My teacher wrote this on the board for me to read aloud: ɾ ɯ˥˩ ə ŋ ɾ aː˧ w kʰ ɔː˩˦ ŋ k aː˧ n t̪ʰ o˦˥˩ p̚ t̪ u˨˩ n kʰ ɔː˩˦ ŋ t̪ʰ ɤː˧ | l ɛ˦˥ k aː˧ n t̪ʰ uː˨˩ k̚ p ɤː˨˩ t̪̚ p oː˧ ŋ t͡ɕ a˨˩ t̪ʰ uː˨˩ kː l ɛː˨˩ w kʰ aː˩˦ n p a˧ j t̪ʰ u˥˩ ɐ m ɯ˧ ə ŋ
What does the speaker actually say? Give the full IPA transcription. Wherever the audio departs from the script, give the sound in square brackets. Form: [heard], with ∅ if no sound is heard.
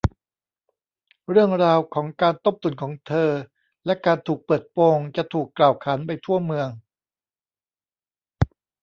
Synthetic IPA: ɾ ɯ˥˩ ə ŋ ɾ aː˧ w kʰ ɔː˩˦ ŋ k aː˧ n [t̪] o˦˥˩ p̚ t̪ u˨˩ n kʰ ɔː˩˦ ŋ t̪ʰ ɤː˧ | l ɛ˦˥ k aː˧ n t̪ʰ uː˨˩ k̚ p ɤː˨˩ t̪̚ p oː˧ ŋ t͡ɕ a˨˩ t̪ʰ uː˨˩ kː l [aː˨˩] w kʰ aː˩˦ n p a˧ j t̪ʰ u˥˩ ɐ m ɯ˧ ə ŋ

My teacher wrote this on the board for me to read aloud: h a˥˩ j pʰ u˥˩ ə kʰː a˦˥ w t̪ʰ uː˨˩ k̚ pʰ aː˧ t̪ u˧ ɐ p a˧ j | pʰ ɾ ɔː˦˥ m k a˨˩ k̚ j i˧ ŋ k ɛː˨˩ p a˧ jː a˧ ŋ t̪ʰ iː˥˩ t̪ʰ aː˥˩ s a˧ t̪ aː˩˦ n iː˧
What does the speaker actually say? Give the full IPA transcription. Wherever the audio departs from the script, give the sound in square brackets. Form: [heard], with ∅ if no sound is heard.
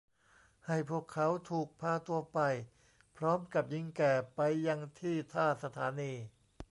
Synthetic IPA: h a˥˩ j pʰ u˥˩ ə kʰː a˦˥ w t̪ʰ uː˨˩ k̚ pʰ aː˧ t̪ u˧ ɐ p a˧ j | pʰ ɾ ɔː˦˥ m k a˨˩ [p̚] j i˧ ŋ k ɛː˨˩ p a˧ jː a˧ ŋ t̪ʰ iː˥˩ t̪ʰ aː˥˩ s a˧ [t̪ʰ] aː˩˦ n iː˧

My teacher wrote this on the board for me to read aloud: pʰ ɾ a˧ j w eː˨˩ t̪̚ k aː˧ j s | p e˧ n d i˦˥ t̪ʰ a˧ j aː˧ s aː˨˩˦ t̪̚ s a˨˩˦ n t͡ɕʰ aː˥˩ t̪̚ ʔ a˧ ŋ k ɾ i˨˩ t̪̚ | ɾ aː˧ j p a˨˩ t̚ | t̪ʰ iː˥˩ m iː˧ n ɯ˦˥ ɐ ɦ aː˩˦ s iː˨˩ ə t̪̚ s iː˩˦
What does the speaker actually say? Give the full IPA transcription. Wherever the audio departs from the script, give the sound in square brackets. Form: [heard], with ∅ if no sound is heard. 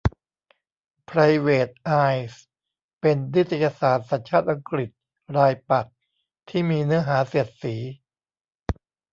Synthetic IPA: pʰ ɾ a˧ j w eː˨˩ t̪̚ [ʔ] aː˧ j s | p e˧ n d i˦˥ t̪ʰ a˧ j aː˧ s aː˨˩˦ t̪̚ s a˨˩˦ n t͡ɕʰ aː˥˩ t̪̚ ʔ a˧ ŋ k ɾ i˨˩ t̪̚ | ɾ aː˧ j p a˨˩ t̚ | t̪ʰ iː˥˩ m iː˧ n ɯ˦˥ ɐ ɦ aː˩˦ s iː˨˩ ə t̪̚ s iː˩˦

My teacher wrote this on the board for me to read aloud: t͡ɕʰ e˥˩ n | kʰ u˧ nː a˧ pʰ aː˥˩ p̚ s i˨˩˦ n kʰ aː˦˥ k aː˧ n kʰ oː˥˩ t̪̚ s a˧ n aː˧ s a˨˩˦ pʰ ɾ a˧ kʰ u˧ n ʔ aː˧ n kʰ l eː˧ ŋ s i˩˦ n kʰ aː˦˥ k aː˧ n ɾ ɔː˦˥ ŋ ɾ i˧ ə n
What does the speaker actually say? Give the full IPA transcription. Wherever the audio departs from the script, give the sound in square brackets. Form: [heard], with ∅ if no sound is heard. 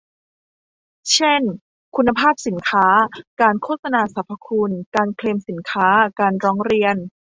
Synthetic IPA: t͡ɕʰ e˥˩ n | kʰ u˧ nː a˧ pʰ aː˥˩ p̚ s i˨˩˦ n kʰ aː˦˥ k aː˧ n kʰ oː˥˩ t̪̚ s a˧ n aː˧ s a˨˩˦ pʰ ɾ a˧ kʰ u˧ n [k] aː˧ n kʰ l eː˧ [m] s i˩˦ n kʰ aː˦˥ k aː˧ n ɾ ɔː˦˥ ŋ ɾ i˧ ə n

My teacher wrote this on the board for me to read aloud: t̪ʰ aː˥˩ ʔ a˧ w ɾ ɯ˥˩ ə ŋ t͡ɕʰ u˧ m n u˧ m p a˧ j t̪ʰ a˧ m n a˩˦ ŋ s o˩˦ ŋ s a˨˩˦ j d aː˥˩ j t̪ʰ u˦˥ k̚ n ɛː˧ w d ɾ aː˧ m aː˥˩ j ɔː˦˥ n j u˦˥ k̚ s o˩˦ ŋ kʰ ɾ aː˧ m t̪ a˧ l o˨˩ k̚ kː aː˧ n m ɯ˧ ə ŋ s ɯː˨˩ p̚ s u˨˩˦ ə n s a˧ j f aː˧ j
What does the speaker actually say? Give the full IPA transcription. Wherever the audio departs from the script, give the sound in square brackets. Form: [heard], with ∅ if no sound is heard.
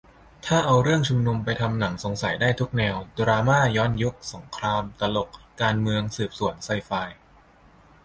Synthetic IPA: t̪ʰ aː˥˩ ʔ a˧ w ɾ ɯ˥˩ ə ŋ t͡ɕʰ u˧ m n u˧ m p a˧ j t̪ʰ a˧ m n a˩˦ ŋ s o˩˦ ŋ s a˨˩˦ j d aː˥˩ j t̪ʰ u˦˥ k̚ n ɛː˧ w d ɾ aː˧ m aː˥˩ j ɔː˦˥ n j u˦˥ k̚ s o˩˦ ŋ kʰ ɾ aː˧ m t̪ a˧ l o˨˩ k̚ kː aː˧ n m ɯ˧ ə ŋ s ɯː˨˩ p̚ s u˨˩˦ ə n s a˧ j f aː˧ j

